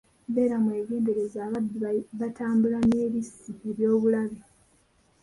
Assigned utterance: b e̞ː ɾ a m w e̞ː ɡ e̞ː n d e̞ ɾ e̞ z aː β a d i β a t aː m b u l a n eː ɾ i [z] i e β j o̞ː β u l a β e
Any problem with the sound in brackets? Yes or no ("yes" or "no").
yes